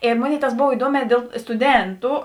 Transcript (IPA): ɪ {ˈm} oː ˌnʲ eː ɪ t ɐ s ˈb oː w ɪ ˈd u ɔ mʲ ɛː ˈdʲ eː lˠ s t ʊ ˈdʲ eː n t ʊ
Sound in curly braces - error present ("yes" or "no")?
no